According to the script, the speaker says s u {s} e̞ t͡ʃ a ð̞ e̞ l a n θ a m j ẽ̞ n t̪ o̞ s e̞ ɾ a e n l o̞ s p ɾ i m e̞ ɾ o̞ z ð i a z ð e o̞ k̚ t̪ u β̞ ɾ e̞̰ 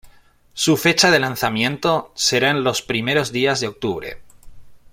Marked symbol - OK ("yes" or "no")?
no